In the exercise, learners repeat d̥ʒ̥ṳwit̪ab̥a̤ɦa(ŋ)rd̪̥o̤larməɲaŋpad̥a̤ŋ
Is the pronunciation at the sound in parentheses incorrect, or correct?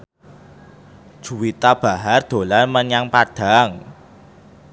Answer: incorrect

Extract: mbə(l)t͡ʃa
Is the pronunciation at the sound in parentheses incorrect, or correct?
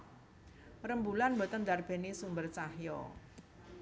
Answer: incorrect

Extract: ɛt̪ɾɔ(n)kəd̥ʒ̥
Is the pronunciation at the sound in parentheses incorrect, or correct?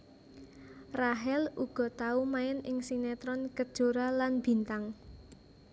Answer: correct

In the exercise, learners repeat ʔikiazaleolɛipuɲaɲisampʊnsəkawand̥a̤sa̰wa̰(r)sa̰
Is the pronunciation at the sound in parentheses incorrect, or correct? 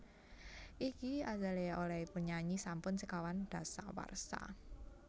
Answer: correct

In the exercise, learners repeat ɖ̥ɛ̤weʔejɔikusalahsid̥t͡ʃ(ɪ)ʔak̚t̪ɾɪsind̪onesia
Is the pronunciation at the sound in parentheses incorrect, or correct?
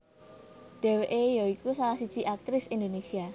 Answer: incorrect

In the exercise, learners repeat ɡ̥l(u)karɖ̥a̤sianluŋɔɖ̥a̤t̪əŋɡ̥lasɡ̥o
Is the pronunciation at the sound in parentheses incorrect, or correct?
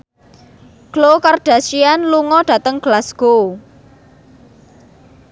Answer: incorrect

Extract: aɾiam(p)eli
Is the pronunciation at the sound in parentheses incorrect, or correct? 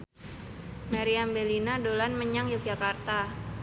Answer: incorrect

